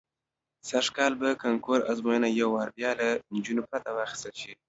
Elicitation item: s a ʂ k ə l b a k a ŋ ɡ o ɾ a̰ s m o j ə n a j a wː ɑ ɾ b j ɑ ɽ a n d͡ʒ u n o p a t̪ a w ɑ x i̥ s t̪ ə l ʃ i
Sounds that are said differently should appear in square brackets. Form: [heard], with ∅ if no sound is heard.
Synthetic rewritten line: s a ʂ k [ɑ] l b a k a ŋ [k] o ɾ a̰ [z] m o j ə n a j a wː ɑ ɾ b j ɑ [l] a n d͡ʒ u n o p a t̪ a w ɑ x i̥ s t̪ ə l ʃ i